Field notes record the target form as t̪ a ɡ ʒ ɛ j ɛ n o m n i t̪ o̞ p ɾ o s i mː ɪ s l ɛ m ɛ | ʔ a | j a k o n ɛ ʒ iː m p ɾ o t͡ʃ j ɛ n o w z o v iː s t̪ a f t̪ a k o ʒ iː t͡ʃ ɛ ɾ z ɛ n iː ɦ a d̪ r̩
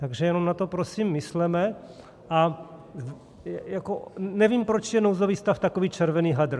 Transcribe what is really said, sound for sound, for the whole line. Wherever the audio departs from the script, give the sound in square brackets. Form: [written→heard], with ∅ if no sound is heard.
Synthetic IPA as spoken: t̪ a ɡ ʒ ɛ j ɛ n o m n [i→a] t̪ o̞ p ɾ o s i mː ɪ s l ɛ m ɛ | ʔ a | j a k o n ɛ [ʒ→v] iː m p ɾ o t͡ʃ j ɛ n o w z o v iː s t̪ a f t̪ a k o [ʒ→v] iː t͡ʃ ɛ ɾ [z→v] ɛ n iː ɦ a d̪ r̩

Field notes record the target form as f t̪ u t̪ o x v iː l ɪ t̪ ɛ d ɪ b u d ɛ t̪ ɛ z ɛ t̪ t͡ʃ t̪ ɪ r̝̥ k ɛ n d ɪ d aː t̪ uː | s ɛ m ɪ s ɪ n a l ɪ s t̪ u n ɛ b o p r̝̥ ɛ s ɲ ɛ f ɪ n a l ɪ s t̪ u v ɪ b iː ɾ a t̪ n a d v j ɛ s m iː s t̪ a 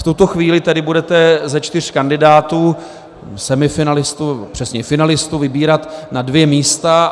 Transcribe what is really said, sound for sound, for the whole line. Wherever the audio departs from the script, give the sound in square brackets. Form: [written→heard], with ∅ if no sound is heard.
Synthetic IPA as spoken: f t̪ u t̪ o x v iː l ɪ t̪ ɛ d ɪ b u d ɛ t̪ ɛ z ɛ [t̪→∅] t͡ʃ t̪ ɪ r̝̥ k [ɛ→a] n d ɪ d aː t̪ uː | s ɛ m ɪ [s→f] ɪ n a l ɪ s t̪ u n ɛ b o p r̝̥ ɛ s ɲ ɛ f ɪ n a l ɪ s t̪ u v ɪ b iː ɾ a t̪ n a d v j ɛ [s→∅] m iː s t̪ a

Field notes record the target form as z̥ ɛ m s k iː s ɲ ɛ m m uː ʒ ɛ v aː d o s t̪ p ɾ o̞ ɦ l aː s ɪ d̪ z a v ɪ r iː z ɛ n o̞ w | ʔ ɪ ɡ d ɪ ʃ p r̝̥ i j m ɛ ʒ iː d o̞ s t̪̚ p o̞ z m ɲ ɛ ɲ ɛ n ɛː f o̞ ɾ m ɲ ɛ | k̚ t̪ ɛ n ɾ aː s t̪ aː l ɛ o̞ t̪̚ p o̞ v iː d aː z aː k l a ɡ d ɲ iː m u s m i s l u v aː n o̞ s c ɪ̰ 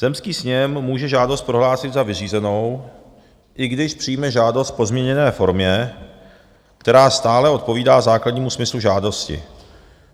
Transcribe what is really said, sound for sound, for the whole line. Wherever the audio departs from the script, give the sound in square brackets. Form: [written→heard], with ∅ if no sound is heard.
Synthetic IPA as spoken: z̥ ɛ m s k iː s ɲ ɛ m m uː ʒ ɛ [v→ʒ] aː d o s t̪ p ɾ o̞ ɦ l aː s ɪ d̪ z a v ɪ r iː z ɛ n o̞ w | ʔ ɪ ɡ d ɪ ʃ p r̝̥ i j m ɛ ʒ [iː→aː] d o̞ s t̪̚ p o̞ z m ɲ ɛ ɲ ɛ n ɛː f o̞ ɾ m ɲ ɛ | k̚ t̪ ɛ [n→∅] ɾ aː s t̪ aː l ɛ o̞ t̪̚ p o̞ v iː d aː z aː k l a [ɡ→∅] d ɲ iː m u s m [i→ɪ] s l u [v→ʒ] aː [n→d] o̞ s c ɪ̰

